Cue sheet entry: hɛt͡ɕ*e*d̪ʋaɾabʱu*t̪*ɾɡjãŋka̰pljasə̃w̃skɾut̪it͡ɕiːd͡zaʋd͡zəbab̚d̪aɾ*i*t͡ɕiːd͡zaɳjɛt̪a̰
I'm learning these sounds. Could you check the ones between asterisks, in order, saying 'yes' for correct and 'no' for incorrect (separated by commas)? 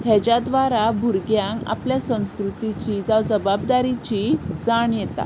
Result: no, no, yes